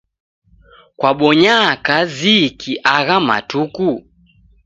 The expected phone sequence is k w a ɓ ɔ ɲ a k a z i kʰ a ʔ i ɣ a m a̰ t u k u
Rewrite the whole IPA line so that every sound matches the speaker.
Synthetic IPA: k w a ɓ ɔ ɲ a k a z i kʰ i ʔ a ɣ a m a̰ t u k u